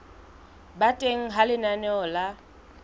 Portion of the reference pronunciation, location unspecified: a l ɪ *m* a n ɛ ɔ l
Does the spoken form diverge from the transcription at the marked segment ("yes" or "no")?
yes